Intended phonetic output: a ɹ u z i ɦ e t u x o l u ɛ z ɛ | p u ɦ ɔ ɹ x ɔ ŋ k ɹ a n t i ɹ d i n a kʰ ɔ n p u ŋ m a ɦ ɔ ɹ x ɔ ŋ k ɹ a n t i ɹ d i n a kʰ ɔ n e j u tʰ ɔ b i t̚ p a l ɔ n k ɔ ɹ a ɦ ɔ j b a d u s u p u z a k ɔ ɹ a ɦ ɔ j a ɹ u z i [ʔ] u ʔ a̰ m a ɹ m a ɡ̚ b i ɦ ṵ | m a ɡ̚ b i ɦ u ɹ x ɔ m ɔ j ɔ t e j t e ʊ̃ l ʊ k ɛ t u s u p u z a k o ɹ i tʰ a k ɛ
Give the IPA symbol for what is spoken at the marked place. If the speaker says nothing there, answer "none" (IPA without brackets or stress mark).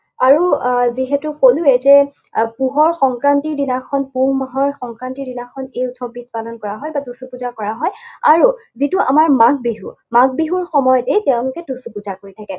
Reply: t